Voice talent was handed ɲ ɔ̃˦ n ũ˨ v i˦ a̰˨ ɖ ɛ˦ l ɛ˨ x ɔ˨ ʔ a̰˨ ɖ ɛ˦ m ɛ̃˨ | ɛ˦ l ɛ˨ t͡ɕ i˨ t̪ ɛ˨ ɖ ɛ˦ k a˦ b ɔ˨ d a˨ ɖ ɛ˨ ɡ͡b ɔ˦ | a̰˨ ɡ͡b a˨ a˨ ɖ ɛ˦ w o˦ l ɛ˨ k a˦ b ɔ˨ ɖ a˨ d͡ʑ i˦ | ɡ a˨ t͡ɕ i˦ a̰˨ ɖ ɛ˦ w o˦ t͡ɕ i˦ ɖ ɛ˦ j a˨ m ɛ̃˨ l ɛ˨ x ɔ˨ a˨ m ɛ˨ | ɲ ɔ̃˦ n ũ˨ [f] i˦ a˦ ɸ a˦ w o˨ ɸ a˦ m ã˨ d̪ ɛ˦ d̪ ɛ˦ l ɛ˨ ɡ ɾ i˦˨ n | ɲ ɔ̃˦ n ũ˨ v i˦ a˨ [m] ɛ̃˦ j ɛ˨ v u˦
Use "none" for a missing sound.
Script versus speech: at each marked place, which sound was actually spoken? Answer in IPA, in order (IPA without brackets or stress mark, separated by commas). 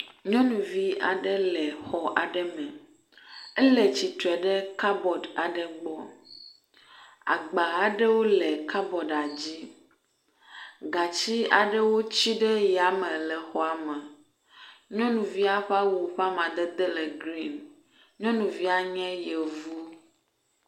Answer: v, ɲ